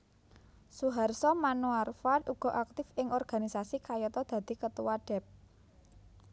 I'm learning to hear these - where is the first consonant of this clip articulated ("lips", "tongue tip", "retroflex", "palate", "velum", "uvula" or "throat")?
tongue tip